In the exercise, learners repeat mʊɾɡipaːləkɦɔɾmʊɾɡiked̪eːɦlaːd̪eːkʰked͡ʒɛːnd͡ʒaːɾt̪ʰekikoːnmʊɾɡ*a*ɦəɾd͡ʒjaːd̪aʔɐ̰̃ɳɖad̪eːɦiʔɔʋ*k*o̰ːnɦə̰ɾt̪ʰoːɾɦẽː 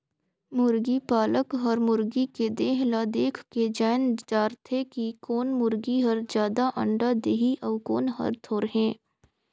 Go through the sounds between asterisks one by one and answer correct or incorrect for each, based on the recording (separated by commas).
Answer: incorrect, correct